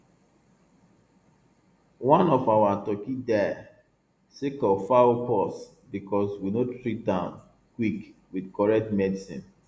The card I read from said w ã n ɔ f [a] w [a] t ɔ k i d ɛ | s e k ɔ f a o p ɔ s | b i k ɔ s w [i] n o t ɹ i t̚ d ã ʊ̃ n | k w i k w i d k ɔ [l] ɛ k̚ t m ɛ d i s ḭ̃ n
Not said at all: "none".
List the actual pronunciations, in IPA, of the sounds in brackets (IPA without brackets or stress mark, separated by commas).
a, a, i, ɹ